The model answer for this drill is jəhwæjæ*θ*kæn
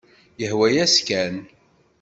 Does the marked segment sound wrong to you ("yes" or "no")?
yes